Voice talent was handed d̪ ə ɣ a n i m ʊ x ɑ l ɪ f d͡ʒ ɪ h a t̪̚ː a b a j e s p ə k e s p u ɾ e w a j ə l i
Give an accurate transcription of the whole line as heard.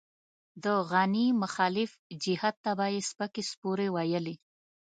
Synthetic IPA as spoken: d̪ ə ɣ a n i m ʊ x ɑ l ɪ f d͡ʒ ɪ h a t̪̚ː a b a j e s p ə k e s p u ɾ e w a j ə l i